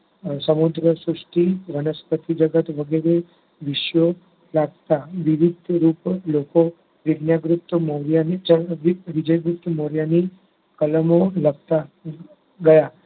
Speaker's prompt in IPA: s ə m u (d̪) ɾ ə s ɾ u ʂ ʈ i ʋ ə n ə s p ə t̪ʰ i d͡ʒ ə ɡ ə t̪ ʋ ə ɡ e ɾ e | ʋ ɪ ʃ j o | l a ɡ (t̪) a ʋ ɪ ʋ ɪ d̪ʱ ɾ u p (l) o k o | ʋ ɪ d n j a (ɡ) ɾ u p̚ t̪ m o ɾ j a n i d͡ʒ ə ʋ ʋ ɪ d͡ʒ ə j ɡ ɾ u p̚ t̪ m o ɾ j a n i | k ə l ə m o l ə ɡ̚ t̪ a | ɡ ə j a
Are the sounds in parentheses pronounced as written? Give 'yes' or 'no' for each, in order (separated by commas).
yes, yes, yes, yes